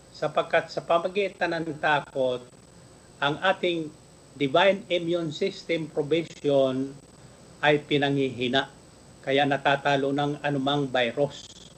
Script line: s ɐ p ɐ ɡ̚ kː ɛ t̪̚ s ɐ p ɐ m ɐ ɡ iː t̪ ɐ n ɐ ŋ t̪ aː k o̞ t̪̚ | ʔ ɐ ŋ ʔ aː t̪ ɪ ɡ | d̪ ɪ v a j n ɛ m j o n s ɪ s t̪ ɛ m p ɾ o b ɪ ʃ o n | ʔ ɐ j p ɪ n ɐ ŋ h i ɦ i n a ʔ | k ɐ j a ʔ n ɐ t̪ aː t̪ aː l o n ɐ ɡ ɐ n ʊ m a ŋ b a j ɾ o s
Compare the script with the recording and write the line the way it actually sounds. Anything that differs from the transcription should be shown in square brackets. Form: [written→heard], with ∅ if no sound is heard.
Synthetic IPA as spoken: s ɐ p ɐ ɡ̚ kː [ɛ→a] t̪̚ s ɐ p ɐ m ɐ ɡ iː t̪ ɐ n ɐ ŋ t̪ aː k o̞ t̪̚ | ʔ ɐ ŋ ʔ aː t̪ ɪ [ɡ→ŋ] | d̪ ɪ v a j n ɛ m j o n s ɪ s t̪ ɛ m p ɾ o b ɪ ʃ o n | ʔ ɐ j p ɪ n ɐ ŋ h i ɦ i n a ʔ | k ɐ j a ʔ n ɐ t̪ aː t̪ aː l o n ɐ [ɡ→ŋ] ɐ n ʊ m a ŋ b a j ɾ o s